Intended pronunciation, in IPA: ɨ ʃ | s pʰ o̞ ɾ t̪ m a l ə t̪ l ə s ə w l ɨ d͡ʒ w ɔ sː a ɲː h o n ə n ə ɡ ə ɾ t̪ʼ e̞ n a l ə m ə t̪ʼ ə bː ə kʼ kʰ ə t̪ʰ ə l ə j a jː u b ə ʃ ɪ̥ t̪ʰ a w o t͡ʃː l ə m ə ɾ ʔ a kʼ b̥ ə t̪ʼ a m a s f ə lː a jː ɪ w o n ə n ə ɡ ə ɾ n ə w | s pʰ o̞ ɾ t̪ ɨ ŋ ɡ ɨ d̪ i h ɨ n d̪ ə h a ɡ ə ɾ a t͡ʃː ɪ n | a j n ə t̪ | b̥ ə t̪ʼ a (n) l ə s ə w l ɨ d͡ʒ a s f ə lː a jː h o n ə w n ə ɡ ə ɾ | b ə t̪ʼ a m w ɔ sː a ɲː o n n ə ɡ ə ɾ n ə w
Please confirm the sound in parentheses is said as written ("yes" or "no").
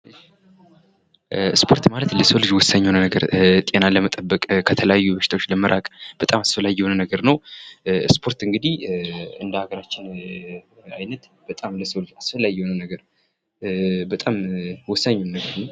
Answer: no